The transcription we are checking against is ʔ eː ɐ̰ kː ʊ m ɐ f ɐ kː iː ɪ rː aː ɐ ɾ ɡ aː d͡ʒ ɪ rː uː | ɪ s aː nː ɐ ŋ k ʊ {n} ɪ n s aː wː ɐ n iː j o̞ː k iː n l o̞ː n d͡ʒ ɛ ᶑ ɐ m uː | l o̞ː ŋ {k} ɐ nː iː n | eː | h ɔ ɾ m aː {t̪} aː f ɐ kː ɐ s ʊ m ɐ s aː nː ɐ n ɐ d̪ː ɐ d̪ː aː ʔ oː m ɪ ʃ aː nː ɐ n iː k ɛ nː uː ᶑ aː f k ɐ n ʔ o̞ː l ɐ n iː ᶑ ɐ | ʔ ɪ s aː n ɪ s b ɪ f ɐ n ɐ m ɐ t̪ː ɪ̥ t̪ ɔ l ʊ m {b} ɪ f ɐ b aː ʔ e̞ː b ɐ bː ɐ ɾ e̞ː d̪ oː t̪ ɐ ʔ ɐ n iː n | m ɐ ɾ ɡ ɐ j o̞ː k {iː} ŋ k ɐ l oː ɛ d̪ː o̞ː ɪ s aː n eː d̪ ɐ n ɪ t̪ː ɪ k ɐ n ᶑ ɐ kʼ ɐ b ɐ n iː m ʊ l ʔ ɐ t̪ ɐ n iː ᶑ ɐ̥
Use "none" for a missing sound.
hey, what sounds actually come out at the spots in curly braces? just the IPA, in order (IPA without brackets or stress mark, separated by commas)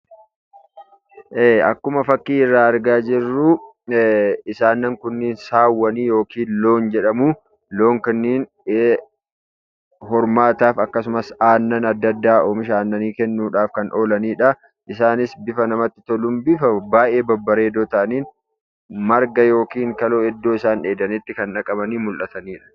nː, k, t̪, b, iː